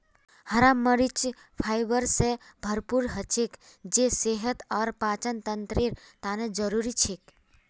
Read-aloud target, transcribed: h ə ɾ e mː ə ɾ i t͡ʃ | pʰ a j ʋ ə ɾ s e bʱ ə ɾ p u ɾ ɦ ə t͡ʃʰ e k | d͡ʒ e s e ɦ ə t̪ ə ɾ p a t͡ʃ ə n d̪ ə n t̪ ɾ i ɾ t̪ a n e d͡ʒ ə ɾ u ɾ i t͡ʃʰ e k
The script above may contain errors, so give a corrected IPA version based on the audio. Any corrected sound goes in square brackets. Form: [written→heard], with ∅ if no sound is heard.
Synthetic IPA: h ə ɾ [e→a] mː ə ɾ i t͡ʃ | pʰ a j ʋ ə ɾ s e bʱ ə ɾ p u ɾ ɦ ə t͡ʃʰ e k | d͡ʒ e s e ɦ ə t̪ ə ɾ p a t͡ʃ ə n [d̪→t̪] ə n t̪ ɾ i ɾ t̪ a n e d͡ʒ ə ɾ u ɾ i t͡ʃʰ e k